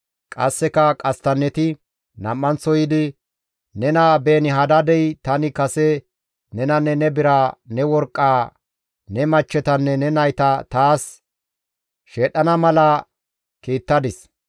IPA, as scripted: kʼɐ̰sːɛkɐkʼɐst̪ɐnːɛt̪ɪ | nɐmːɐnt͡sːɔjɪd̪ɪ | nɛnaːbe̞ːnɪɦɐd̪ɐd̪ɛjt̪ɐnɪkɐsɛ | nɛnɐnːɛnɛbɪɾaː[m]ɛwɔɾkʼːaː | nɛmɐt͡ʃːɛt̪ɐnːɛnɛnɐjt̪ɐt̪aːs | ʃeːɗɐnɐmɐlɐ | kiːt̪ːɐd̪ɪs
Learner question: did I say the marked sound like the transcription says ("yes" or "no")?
no